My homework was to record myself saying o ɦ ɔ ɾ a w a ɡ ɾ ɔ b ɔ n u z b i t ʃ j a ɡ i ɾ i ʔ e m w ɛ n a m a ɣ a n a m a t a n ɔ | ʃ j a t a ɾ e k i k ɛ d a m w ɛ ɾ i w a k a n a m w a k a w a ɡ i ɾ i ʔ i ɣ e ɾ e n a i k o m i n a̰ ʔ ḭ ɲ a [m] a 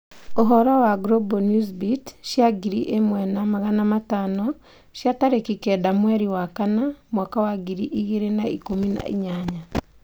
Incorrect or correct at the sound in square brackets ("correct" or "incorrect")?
incorrect